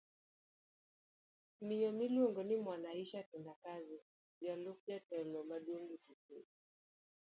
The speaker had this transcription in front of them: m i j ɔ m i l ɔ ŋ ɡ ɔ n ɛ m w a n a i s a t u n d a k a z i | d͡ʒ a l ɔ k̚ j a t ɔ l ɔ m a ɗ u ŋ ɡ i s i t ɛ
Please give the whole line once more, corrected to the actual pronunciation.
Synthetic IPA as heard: m i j ɔ m i l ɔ ŋ ɡ ɔ n i m w a n a i ʃ a t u n d a k a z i | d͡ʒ a l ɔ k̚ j a t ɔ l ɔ m a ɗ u ŋ ɡ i s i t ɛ